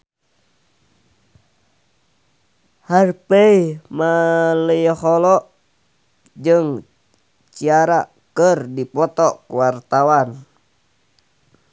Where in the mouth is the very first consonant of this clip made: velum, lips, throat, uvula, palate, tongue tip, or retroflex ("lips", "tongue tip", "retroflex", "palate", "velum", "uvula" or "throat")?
throat